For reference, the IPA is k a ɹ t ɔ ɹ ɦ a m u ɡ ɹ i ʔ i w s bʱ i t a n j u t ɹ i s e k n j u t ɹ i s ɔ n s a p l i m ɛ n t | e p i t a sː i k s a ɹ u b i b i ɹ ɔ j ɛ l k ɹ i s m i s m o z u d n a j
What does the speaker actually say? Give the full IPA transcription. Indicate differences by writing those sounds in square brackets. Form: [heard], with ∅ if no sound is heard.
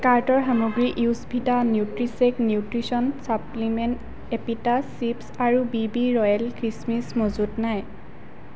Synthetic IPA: k a ɹ t ɔ ɹ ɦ a m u ɡ ɹ i ʔ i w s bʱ i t a n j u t ɹ i s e k n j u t ɹ i s ɔ n s a p l i m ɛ n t | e p i t a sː i [p] s a ɹ u b i b i ɹ ɔ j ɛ l k ɹ i s m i s m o z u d n a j

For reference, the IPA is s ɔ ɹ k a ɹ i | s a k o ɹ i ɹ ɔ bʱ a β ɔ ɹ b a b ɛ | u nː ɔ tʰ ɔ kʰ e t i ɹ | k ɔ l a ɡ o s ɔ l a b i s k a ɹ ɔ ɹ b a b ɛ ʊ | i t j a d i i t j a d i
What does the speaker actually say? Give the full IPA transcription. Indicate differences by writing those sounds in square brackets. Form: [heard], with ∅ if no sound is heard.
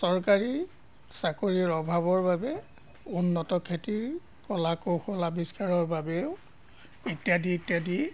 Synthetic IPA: s ɔ ɹ k a ɹ i | s a k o ɹ i ɹ ɔ bʱ a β ɔ ɹ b a b ɛ | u nː ɔ [t] ɔ kʰ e t i ɹ | k ɔ l a [k] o [x] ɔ l a b i s k a ɹ ɔ ɹ b a b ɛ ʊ | i t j a d i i t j a d i

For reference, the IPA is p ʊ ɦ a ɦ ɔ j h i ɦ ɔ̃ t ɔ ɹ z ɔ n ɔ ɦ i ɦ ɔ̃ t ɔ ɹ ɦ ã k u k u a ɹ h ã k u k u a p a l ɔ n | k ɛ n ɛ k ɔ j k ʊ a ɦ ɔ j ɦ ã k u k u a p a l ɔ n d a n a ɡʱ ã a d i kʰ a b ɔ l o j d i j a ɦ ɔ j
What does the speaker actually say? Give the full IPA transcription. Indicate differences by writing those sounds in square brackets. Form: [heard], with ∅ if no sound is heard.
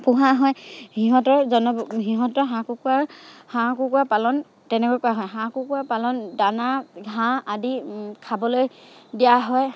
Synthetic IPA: p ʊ ɦ a ɦ ɔ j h i ɦ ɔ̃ t ɔ ɹ z ɔ n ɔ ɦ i ɦ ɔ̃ t ɔ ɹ ɦ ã k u k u a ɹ h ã k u k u a p a l ɔ n | [t] ɛ n ɛ k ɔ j k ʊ a ɦ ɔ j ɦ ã k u k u a p a l ɔ n d a n a ɡʱ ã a d i kʰ a b ɔ l o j d i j a ɦ ɔ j

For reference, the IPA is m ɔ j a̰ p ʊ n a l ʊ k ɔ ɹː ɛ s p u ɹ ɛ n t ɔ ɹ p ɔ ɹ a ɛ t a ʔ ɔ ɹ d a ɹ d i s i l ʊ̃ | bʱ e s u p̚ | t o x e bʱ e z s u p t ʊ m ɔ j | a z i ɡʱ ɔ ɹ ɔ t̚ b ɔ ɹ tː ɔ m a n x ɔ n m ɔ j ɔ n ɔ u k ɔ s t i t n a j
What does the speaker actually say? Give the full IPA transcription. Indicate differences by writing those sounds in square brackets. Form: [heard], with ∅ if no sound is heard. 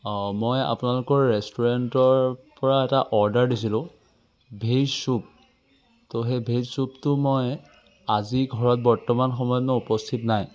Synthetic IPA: m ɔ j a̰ p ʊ n a l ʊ k ɔ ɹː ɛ s [t] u ɹ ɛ n t ɔ ɹ p ɔ ɹ a ɛ t a ʔ ɔ ɹ d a ɹ d i s i l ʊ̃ | bʱ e s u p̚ | t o x e bʱ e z s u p t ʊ m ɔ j | a z i ɡʱ ɔ ɹ ɔ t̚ b ɔ ɹ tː ɔ m a n x ɔ [∅] m ɔ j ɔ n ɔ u [p] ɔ s [tʰ] i t n a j

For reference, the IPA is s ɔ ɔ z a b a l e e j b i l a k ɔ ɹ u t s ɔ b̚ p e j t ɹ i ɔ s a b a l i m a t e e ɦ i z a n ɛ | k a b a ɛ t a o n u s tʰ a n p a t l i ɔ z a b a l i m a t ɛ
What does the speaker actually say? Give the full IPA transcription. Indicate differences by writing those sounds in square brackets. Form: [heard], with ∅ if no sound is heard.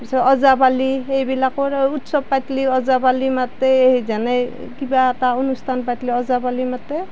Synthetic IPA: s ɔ ɔ z a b a l [i] e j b i l a k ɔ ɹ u t s ɔ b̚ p [a] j t [l] i ɔ [z] a b a l i m a t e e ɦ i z a n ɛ | k [i] b a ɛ t a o n u s tʰ a n p a t l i ɔ z a b a l i m a t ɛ

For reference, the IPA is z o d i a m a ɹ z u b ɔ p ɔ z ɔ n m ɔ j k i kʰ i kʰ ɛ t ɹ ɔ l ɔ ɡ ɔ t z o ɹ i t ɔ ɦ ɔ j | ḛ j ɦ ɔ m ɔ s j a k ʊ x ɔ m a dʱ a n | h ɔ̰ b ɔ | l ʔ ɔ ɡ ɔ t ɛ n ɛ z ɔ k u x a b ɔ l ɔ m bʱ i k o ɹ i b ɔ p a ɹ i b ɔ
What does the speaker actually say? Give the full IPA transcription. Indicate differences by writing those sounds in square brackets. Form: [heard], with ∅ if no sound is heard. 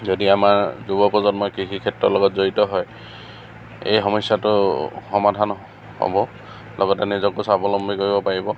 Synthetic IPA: z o d i a m a ɹ z u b ɔ p ɔ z ɔ n m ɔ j k i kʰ i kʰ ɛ t ɹ ɔ l ɔ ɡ ɔ t z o ɹ i t ɔ ɦ ɔ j | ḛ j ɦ ɔ m ɔ s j a [t] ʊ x ɔ m a dʱ a n | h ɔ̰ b ɔ | l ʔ ɔ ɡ ɔ t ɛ n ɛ z ɔ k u [s] a b ɔ l ɔ m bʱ i k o ɹ i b ɔ p a ɹ i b ɔ

